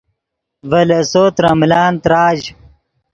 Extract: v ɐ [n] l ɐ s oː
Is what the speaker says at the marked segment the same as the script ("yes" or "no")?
no